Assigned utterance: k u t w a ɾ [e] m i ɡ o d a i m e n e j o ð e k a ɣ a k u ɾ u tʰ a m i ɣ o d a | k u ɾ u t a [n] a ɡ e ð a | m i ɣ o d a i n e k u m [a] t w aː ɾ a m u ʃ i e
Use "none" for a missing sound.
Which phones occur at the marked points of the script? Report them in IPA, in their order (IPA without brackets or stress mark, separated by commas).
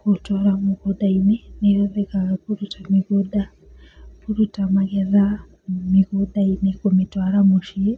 a, m, i